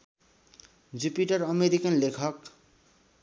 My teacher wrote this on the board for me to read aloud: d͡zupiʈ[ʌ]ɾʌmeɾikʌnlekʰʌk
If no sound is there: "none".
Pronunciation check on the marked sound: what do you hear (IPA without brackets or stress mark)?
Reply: ʌ